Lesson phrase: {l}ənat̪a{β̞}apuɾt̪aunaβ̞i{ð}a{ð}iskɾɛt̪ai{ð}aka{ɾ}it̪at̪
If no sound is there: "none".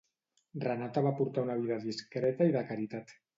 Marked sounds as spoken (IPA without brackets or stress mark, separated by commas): r, β̞, ð, ð, ð, ɾ